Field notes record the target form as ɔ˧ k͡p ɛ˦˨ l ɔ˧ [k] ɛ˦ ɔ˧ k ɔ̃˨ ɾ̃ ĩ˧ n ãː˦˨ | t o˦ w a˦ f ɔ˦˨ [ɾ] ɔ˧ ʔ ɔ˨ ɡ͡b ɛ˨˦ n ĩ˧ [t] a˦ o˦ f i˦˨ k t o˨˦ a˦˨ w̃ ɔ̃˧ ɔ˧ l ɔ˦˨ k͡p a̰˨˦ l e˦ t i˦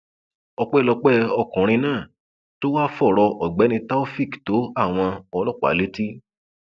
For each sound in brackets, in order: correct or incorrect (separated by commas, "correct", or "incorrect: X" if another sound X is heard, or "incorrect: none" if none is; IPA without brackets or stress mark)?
incorrect: k͡p, correct, correct